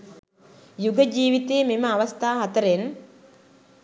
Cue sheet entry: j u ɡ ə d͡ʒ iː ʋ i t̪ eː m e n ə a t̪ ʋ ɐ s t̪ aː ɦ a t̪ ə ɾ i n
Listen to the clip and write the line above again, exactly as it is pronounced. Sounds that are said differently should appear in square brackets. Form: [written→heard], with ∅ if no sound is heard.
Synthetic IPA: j u ɡ ə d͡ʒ iː ʋ i t̪ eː m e [n→m] ə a [t̪→∅] ʋ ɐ s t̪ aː ɦ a t̪ ə ɾ [i→e] n